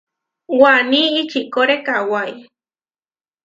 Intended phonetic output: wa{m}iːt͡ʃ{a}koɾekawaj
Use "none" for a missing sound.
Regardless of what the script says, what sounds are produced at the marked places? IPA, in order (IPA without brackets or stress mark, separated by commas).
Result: n, i